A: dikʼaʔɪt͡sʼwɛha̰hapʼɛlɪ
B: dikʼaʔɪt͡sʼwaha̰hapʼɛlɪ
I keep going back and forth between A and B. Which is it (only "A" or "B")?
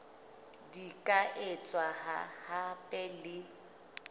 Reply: B